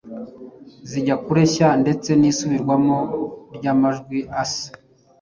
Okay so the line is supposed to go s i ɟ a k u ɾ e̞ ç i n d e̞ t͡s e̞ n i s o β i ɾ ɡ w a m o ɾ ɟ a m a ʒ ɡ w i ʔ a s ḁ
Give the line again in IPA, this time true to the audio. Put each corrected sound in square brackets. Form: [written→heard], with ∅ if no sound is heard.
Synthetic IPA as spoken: [s→z] i ɟ a k u ɾ e̞ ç [i→a] n d e̞ t͡s e̞ n i s [o→u] β i ɾ ɡ w a m o ɾ ɟ a m a ʒ ɡ w i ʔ a s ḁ